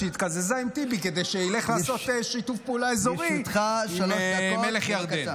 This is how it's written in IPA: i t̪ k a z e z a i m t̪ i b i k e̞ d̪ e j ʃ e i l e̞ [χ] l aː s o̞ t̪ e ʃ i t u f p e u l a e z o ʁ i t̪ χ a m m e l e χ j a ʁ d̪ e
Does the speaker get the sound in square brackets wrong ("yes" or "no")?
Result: no